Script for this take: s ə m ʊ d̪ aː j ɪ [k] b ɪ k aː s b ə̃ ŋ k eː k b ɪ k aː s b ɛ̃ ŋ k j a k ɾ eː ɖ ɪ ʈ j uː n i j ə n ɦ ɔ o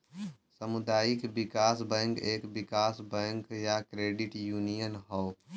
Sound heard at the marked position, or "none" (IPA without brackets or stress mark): k